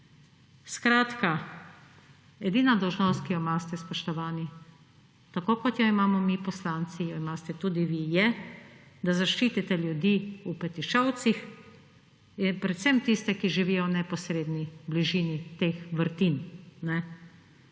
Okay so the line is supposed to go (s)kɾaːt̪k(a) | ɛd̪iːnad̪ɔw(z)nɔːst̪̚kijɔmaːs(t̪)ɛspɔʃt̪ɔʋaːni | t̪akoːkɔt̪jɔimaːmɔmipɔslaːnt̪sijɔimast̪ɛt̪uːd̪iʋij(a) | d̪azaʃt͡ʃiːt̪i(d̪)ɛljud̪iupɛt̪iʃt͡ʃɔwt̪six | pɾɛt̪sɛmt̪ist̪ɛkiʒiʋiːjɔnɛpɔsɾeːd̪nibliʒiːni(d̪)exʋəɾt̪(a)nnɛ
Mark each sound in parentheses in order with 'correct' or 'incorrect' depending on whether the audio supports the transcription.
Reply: correct, correct, incorrect, correct, incorrect, incorrect, incorrect, incorrect

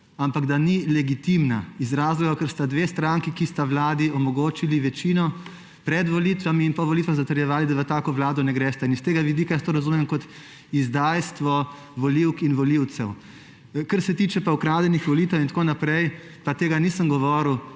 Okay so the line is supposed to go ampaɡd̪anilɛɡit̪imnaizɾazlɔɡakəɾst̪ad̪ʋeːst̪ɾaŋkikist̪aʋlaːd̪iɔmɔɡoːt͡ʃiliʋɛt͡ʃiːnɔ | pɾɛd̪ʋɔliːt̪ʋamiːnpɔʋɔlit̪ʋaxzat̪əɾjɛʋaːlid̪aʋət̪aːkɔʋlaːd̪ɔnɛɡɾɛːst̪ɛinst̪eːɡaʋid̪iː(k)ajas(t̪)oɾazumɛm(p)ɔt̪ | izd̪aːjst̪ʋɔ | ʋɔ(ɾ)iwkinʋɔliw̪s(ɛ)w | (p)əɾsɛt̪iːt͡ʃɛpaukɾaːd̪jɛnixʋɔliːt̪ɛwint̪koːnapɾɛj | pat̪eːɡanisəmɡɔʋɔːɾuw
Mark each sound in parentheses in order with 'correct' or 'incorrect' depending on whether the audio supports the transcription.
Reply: correct, correct, incorrect, incorrect, correct, incorrect

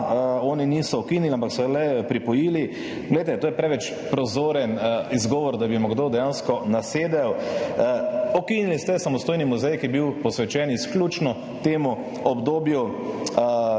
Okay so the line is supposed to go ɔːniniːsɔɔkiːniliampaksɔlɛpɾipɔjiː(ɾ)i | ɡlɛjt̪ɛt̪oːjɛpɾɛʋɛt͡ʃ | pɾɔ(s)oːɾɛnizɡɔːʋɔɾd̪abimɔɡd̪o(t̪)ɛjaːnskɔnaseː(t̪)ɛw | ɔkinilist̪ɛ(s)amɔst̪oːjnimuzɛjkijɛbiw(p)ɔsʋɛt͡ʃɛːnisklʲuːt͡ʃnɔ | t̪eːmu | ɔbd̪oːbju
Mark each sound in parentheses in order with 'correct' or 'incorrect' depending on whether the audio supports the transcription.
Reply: incorrect, incorrect, incorrect, incorrect, correct, correct

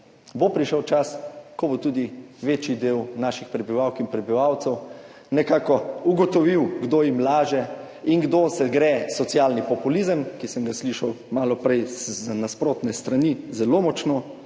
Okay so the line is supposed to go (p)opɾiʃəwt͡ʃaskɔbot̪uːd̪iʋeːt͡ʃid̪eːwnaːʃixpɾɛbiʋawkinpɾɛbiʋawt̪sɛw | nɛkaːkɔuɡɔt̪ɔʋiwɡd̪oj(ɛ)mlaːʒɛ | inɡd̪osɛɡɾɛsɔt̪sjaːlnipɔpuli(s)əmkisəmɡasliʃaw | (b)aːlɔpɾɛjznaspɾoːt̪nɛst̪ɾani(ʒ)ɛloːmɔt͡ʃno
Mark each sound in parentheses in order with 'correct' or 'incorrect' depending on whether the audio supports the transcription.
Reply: incorrect, incorrect, incorrect, incorrect, incorrect

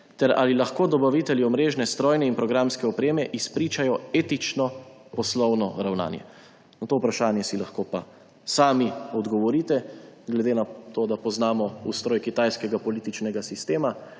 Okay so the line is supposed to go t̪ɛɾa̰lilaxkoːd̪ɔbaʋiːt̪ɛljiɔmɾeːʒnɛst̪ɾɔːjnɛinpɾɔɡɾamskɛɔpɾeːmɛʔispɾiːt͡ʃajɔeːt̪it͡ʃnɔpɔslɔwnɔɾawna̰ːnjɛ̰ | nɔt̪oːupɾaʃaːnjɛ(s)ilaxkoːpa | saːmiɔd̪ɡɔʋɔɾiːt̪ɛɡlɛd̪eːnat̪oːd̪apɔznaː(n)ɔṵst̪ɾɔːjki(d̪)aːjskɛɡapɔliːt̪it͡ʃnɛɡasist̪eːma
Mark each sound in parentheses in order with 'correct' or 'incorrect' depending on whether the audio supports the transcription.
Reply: correct, incorrect, incorrect

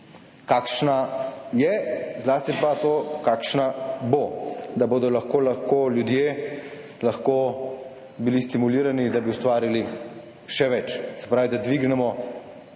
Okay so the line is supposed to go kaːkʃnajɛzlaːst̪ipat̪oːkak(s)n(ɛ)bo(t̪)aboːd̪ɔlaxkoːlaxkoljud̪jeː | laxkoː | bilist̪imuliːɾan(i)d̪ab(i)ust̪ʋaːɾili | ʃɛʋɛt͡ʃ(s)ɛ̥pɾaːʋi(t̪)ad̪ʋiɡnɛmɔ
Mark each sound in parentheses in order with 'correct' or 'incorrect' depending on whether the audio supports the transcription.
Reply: incorrect, incorrect, incorrect, correct, correct, correct, incorrect

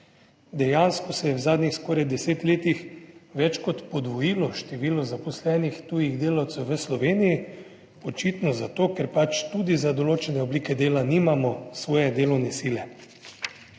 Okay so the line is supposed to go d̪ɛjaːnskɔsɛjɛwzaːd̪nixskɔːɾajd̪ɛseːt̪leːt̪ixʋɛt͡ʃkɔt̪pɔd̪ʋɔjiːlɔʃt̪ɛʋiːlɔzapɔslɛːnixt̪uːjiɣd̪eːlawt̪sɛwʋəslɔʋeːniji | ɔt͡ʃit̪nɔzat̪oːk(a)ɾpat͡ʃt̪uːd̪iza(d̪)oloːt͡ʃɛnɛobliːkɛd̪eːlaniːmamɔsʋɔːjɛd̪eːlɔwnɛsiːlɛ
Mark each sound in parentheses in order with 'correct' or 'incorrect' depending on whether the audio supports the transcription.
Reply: incorrect, correct

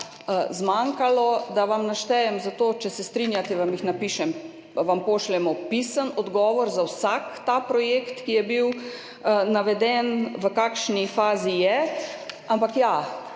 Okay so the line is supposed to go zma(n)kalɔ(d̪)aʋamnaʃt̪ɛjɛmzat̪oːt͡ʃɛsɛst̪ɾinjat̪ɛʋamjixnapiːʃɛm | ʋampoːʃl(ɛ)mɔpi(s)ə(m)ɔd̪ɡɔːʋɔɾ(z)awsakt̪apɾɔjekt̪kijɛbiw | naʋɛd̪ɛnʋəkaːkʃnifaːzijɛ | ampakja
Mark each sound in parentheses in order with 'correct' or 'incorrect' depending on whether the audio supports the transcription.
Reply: incorrect, correct, correct, correct, incorrect, correct

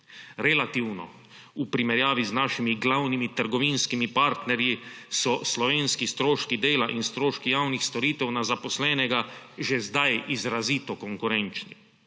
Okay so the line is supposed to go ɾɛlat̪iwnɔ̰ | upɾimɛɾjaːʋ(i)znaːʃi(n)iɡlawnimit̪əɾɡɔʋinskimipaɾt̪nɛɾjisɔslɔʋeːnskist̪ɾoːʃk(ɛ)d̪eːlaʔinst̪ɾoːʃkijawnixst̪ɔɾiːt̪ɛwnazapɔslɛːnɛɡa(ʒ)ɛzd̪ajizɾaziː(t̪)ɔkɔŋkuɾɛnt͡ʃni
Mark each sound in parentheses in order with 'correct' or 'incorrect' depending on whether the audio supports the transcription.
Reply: correct, incorrect, incorrect, correct, correct

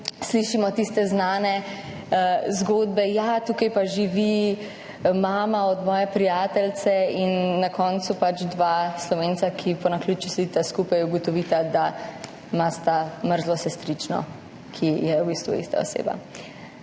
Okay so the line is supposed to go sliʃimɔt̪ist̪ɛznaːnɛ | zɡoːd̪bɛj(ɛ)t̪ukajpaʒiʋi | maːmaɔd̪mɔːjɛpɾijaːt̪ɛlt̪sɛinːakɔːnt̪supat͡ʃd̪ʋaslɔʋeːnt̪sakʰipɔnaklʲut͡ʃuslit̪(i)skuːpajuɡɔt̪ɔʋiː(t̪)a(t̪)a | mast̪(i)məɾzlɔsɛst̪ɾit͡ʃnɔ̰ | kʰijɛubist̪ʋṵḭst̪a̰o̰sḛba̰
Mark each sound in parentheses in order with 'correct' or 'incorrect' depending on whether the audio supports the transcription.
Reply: incorrect, incorrect, correct, incorrect, incorrect

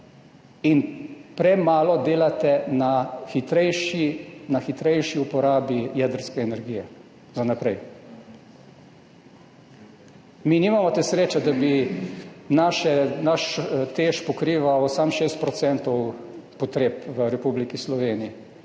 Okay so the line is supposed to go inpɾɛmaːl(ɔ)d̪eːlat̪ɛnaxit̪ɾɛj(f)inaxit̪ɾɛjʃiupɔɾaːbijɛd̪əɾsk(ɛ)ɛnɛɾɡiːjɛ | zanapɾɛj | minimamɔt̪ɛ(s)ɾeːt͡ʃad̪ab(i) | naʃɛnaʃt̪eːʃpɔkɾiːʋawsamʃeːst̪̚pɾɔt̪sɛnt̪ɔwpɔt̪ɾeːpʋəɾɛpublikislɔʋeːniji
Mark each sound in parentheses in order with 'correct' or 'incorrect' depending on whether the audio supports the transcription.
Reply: correct, incorrect, correct, correct, correct

